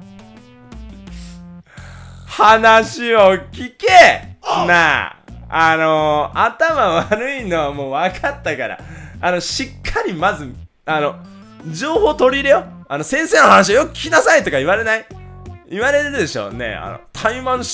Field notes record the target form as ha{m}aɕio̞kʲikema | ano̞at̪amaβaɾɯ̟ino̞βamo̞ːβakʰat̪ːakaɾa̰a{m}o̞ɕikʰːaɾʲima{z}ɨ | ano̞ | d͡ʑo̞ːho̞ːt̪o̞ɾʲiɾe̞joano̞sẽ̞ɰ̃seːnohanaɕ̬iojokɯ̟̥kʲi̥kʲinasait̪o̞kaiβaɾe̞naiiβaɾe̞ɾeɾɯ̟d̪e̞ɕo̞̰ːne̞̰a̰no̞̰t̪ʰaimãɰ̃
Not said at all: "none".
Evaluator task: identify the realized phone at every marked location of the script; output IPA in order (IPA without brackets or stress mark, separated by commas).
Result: n, n, z